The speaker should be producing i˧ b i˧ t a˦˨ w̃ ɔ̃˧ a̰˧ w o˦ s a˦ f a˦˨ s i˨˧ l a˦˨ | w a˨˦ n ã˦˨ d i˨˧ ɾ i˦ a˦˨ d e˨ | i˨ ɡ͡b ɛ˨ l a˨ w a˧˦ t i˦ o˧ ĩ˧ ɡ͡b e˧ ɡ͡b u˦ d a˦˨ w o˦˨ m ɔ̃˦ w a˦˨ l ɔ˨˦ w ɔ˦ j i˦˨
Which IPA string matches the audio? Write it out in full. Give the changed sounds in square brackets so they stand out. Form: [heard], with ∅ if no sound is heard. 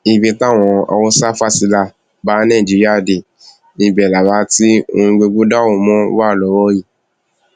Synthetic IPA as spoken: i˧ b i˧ t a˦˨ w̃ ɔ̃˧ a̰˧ w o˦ s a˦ f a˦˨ s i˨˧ l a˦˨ | [b] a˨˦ n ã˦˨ [d͡ʒ] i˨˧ ɾ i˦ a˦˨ d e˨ | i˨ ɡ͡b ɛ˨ l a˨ w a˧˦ t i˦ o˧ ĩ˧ ɡ͡b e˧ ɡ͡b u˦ d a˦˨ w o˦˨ m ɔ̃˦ w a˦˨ l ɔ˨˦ w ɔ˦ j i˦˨